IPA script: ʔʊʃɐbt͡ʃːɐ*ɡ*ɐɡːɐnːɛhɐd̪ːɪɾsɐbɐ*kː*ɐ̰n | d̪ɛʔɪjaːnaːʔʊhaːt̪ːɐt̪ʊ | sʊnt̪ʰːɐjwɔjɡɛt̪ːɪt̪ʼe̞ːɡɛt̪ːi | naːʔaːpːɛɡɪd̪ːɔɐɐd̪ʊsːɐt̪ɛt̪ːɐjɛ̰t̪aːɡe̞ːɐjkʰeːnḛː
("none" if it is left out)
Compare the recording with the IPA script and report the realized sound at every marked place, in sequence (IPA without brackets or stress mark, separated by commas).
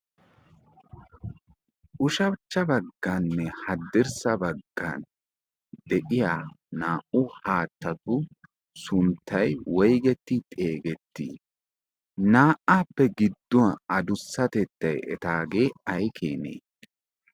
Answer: b, ɡː